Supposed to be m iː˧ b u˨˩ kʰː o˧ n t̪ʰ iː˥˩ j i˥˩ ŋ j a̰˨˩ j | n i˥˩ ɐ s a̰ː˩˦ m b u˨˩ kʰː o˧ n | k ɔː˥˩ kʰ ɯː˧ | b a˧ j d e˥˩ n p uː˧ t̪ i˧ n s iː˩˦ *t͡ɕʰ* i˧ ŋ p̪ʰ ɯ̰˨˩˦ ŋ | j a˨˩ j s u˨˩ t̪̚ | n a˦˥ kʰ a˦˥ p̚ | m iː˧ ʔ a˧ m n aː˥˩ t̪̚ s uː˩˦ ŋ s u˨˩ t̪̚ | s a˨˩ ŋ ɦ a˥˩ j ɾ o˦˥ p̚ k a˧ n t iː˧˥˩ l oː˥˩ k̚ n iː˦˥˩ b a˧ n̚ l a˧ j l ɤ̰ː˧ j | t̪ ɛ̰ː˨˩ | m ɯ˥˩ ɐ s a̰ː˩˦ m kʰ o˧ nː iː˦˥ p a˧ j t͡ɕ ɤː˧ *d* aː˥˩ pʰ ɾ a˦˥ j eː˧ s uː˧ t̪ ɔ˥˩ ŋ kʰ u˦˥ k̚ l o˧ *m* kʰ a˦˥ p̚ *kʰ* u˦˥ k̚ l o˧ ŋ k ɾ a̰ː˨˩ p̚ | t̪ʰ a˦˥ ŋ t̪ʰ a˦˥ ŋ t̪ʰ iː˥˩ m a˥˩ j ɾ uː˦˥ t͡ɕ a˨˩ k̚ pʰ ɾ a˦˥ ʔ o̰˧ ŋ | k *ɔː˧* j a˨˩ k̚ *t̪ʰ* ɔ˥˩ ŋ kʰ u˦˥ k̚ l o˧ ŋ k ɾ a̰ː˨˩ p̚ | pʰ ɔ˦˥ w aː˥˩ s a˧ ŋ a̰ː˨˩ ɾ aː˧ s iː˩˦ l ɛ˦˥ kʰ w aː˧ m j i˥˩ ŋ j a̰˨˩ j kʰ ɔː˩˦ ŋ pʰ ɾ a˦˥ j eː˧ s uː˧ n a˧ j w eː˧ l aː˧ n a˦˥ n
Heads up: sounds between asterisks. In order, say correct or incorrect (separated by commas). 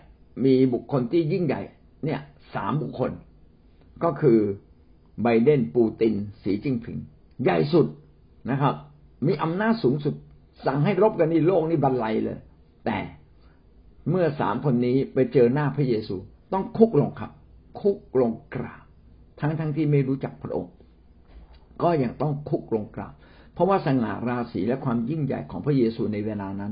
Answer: incorrect, incorrect, incorrect, correct, incorrect, incorrect